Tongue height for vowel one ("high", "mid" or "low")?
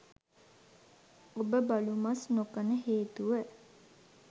mid